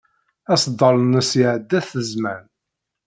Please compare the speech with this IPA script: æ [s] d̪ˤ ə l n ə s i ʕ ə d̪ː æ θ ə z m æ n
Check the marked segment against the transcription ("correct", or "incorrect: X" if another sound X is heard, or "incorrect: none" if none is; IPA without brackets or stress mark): correct